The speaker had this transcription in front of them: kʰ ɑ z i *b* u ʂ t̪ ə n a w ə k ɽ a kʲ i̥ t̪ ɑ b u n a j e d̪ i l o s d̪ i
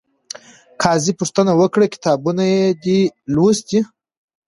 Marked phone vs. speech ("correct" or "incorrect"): incorrect